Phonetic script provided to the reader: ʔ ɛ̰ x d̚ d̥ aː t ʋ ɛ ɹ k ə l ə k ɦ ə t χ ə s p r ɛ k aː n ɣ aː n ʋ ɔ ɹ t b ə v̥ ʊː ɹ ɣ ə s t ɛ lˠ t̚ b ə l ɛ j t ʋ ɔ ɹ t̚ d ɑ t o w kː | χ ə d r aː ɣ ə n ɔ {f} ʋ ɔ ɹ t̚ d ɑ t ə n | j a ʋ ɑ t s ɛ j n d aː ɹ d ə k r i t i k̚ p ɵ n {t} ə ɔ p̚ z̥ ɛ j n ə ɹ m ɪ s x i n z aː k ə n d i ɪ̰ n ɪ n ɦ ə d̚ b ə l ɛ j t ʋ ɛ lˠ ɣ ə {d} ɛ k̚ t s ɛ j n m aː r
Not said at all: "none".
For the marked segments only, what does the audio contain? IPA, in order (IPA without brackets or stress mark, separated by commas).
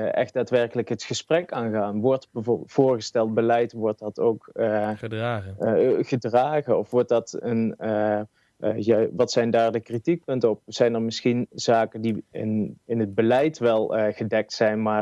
f, t, d